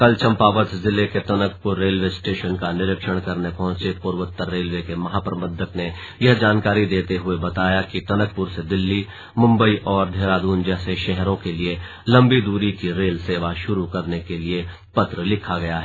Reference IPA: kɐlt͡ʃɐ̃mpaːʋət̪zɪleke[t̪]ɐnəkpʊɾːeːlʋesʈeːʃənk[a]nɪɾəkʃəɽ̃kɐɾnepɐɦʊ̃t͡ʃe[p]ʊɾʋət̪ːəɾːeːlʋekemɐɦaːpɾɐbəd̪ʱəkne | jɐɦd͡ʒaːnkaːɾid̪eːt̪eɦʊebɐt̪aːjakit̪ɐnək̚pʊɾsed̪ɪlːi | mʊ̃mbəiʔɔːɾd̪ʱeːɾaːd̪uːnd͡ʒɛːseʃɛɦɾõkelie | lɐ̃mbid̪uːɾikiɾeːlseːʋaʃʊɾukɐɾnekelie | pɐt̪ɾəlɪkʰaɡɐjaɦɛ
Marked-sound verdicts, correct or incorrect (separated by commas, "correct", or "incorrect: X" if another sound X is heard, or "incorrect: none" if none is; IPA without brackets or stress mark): correct, correct, correct